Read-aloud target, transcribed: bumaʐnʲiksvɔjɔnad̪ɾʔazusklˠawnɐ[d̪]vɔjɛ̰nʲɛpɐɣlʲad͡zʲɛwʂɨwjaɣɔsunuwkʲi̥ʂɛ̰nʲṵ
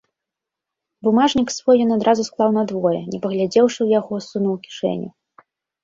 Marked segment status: correct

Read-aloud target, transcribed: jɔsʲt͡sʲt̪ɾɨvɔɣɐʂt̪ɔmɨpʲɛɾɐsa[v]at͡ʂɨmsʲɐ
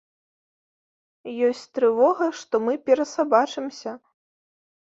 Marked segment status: incorrect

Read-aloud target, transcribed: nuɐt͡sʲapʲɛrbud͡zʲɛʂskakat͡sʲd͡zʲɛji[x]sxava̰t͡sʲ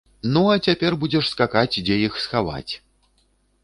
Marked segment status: correct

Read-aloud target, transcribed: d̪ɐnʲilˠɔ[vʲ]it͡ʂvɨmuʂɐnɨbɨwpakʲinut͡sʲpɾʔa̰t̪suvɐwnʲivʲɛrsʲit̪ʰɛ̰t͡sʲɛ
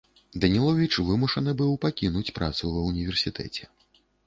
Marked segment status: correct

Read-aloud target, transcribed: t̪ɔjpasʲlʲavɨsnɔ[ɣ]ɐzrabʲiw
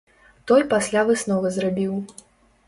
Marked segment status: incorrect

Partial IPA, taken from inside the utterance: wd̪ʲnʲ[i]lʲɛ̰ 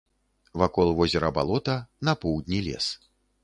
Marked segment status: correct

